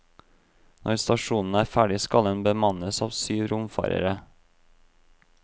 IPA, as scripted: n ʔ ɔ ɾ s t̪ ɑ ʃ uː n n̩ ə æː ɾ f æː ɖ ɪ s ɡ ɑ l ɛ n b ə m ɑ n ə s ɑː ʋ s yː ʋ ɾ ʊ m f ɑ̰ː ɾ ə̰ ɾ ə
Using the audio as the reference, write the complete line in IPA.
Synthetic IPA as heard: n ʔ ɔ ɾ s t̪ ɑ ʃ uː n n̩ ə æː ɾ f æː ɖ ɪ s k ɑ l ɛ n b ə m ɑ n ə s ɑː ʋ s yː ʋ ɾ ʊ m f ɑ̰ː ɾ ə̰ ɾ ə